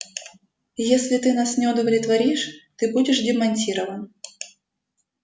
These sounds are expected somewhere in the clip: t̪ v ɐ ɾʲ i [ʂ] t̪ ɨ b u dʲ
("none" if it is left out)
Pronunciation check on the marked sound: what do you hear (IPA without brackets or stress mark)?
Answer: ʂ